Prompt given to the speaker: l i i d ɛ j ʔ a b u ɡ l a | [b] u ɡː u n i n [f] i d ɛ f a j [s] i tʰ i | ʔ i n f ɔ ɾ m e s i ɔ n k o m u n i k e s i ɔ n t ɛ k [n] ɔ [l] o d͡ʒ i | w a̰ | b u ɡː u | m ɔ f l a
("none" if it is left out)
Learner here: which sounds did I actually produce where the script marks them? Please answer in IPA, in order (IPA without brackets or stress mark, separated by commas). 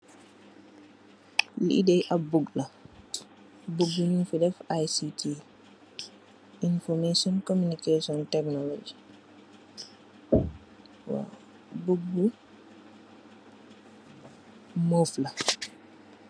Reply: b, f, s, n, l